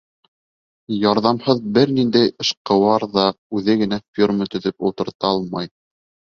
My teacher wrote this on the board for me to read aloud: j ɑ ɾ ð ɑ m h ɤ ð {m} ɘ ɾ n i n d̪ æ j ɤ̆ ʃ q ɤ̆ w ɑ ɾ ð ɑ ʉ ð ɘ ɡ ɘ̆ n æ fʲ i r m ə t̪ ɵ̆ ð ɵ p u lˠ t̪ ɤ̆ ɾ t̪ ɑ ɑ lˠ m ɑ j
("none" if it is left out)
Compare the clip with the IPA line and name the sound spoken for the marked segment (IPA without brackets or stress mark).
b